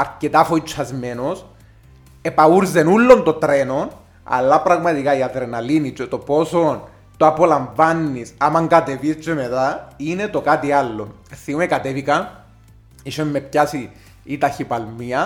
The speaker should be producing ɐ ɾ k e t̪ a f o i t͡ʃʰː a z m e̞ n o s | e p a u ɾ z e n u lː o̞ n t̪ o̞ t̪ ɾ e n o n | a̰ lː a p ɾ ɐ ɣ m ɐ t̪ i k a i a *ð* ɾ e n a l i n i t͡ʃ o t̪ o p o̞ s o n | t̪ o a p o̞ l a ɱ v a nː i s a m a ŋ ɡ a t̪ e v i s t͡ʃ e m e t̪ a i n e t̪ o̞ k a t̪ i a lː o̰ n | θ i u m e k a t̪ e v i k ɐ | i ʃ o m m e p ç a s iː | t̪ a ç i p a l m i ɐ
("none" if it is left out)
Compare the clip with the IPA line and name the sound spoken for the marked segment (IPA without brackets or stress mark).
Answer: ð